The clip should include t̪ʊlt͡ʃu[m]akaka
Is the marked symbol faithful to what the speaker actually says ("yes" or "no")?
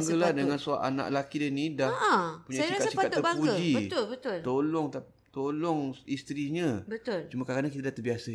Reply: yes